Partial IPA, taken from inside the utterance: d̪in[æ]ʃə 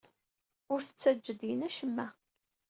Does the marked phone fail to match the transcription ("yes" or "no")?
no